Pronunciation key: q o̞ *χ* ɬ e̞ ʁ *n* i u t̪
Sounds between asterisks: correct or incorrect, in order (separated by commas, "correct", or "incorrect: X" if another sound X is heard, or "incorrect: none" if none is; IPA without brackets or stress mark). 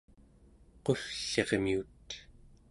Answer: incorrect: f, incorrect: m